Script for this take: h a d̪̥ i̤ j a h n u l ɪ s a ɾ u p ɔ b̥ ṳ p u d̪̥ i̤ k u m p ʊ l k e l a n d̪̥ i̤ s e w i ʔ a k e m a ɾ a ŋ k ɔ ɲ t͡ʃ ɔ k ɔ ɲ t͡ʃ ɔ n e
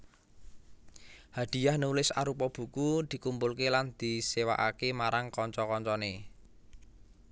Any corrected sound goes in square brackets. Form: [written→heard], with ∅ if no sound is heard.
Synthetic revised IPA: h a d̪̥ i̤ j a h n u l ɪ s a ɾ u p ɔ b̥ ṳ [p→k] u d̪̥ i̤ k u m p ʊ l k e l a n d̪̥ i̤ s e w [i→a] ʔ a k e m a ɾ a ŋ k ɔ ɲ t͡ʃ ɔ k ɔ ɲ t͡ʃ ɔ n e